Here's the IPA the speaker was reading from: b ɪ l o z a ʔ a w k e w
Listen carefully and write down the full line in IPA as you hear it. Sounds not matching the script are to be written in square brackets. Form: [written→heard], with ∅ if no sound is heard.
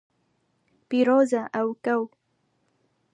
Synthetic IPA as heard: [b→p] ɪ [l→ɾ] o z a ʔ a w k [e→a] w